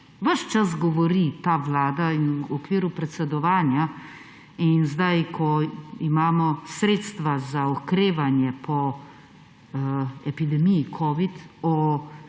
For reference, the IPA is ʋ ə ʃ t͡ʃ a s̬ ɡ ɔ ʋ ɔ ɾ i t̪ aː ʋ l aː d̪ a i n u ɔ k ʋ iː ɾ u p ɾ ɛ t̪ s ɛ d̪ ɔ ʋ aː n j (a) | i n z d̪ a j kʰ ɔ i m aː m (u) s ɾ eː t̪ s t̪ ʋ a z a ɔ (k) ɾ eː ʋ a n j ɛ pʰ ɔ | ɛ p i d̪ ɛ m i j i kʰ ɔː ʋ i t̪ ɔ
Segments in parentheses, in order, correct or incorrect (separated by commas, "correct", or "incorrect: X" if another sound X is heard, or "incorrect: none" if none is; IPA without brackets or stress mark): correct, incorrect: ɔ, correct